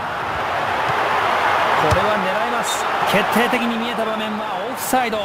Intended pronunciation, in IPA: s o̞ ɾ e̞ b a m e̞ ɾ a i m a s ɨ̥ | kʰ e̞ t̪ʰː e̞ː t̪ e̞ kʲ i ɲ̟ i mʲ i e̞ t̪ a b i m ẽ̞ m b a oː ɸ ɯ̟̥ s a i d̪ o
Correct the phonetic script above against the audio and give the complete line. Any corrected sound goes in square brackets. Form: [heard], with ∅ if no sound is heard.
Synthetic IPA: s o̞ ɾ e̞ [β] a [n] e̞ ɾ a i m a s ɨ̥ | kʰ e̞ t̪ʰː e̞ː t̪ e̞ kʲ i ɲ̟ i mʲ i e̞ t̪ a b [a] m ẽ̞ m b a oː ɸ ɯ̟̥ s a i d̪ o